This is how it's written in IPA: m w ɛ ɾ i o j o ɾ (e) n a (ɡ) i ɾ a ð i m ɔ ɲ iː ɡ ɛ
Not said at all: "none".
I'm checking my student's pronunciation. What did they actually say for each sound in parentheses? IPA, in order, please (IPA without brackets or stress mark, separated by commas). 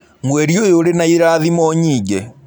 e, none